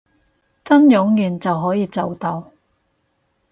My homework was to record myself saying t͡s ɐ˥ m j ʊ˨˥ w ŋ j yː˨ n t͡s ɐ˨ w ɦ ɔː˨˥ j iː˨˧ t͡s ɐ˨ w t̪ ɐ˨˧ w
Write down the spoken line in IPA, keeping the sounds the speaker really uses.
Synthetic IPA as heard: t͡s ɐ˥ n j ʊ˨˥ ŋ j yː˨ n t͡s ɐ˨ w ɦ ɔː˨˥ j iː˨˧ t͡s ɐ˨ w t̪ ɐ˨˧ w